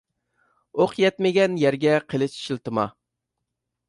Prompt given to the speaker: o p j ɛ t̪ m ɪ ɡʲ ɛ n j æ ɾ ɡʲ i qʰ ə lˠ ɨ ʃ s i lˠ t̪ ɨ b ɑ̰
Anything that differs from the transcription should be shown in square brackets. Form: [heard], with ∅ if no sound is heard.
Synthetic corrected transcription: o [q] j ɛ t̪ m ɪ ɡʲ ɛ n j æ ɾ ɡʲ [ɛ] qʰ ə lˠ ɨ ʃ [ʃ] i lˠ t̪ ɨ [m] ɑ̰